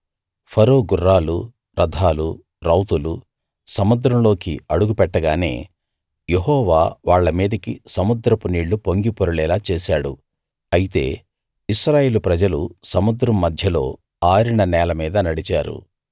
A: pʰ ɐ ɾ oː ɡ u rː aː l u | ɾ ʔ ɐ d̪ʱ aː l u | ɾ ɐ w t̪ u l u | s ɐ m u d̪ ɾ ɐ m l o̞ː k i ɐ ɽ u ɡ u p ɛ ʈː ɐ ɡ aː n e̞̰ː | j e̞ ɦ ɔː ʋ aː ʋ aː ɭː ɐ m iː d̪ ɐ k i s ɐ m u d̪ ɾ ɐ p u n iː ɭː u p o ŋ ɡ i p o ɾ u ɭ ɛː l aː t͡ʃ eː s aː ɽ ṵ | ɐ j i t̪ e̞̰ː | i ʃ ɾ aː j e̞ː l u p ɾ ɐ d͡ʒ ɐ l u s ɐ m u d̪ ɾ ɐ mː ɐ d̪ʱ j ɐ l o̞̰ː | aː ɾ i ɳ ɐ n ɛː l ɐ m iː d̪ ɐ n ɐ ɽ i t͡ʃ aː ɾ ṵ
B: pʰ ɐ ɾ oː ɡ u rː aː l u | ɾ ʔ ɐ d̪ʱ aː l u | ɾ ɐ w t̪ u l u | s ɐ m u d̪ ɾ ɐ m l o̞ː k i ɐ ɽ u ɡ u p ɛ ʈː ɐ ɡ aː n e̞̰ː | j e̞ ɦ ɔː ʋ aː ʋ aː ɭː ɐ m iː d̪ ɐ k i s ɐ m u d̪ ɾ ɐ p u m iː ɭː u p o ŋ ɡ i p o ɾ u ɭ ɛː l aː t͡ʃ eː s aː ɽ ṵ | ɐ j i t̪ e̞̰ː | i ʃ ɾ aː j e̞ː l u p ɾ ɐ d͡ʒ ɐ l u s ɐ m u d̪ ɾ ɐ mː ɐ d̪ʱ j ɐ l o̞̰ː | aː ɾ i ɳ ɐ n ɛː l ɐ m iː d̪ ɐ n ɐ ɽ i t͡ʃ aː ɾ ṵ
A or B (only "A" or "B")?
A